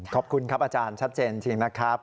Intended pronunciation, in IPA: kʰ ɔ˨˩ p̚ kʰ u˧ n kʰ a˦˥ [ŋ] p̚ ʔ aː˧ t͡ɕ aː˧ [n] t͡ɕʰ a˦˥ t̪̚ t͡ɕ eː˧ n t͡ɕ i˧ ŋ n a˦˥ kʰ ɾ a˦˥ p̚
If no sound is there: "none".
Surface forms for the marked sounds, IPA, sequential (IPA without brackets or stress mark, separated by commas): none, n